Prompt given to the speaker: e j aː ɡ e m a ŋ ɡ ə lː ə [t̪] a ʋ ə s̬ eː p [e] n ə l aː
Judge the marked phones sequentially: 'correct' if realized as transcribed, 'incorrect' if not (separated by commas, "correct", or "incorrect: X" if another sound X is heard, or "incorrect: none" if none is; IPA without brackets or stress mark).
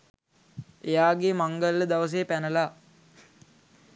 incorrect: d̪, incorrect: æ